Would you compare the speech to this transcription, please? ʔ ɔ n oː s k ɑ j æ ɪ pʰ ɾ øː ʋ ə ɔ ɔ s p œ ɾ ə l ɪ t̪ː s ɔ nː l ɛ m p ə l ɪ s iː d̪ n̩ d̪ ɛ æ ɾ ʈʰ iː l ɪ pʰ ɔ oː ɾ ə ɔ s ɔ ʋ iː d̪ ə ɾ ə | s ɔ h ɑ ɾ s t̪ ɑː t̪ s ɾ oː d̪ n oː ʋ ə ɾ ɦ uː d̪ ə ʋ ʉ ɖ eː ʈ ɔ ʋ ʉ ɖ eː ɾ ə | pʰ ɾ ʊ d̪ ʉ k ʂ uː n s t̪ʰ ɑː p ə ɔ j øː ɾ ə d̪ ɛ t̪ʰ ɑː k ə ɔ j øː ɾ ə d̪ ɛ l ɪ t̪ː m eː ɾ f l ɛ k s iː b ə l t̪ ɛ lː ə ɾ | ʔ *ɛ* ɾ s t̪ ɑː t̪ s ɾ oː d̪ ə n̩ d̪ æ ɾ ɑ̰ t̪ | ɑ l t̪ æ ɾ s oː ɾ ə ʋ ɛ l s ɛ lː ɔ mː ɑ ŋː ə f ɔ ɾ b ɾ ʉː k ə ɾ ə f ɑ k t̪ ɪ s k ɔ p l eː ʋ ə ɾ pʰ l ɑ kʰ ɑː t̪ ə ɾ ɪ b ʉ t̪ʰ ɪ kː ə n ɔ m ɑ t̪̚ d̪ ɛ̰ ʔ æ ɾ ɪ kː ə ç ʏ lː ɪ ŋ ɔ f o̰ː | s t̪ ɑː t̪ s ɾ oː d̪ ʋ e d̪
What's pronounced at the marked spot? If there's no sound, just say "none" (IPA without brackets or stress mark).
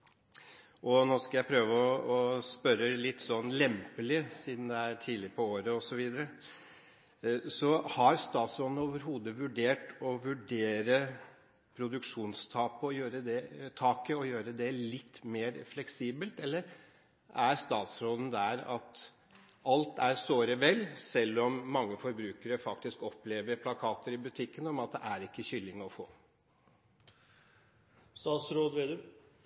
æ